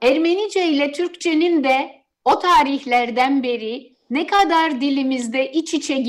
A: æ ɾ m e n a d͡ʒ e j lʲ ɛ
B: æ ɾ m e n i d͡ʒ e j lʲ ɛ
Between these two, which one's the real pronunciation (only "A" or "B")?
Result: B